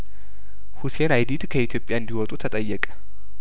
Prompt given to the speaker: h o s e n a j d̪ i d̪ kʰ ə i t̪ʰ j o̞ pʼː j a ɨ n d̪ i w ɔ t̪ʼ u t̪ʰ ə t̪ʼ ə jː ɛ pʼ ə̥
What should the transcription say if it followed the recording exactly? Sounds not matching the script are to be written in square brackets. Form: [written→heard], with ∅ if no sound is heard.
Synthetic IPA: h [o→u] s e n a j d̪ i d̪ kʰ ə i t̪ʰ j o̞ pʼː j a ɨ n d̪ i w ɔ t̪ʼ u t̪ʰ ə t̪ʼ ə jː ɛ [pʼ→kʼ] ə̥